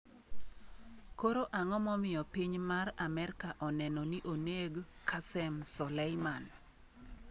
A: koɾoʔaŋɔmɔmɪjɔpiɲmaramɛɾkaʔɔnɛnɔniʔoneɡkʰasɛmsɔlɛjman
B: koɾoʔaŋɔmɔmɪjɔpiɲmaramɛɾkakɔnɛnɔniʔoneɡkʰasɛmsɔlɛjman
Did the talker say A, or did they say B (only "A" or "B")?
A